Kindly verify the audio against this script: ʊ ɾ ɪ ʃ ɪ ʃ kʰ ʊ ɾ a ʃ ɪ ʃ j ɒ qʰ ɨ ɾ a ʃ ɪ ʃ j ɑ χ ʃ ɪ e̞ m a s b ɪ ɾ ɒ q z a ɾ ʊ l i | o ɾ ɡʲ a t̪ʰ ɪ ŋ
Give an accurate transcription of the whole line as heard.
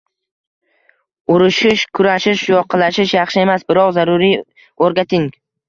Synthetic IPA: ʊ ɾ ɪ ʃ ɪ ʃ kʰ ʊ ɾ a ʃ ɪ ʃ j ɒ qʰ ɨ l a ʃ ɪ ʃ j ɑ χ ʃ ɪ e̞ m a s b ɪ ɾ ɒ q z a ɾ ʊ ɾ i | o ɾ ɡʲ a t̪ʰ ɪ ŋ